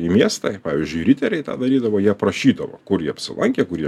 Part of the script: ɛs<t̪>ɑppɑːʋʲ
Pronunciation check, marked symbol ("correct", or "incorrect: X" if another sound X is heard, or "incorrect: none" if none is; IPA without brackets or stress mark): correct